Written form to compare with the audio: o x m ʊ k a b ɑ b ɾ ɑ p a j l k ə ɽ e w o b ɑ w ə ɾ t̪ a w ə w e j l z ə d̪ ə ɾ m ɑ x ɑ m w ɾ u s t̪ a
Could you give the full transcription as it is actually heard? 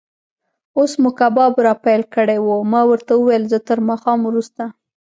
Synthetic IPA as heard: o s m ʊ k a b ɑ b ɾ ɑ p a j l k ə ɽ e w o m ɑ w ə ɾ t̪ a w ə w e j l z ə t̪ ə ɾ m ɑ x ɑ m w ɾ u s t̪ a

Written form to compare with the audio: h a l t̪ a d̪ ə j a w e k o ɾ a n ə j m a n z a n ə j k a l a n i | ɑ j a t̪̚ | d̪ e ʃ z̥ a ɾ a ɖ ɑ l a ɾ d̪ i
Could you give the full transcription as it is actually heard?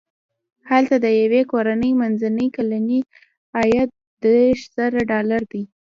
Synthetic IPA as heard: h a l t̪ a d̪ ə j a w e k o ɾ a n ə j m a n z a n ə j k a l a n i | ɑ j a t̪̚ | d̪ e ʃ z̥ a ɾ a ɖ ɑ l a ɾ d̪ i

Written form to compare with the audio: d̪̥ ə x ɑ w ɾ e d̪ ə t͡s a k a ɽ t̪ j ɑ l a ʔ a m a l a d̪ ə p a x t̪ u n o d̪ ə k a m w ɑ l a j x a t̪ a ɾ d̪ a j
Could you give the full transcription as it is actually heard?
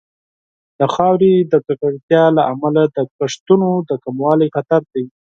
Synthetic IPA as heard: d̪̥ ə x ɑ w ɾ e d̪ ə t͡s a k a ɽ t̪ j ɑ l a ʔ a m a l a d̪ ə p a ʂ t̪ u n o d̪ ə k a m w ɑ l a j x a t̪ a ɾ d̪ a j

